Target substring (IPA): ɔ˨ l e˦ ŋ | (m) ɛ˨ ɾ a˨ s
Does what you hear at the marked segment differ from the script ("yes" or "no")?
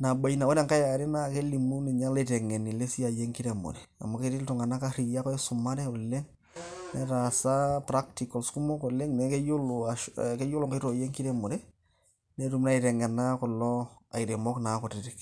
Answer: yes